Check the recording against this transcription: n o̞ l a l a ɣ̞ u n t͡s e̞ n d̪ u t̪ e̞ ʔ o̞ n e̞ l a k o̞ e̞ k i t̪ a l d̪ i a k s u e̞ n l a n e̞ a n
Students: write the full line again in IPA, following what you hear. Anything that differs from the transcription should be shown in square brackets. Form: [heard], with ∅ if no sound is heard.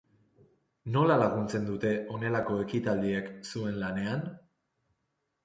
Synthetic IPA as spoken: n o̞ l a l a ɣ̞ u n t͡s e̞ n d̪ u t̪ e̞ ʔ o̞ n e̞ l a k o̞ e̞ k i t̪ a l d̪ i [e] k s u e̞ n l a n e̞ a n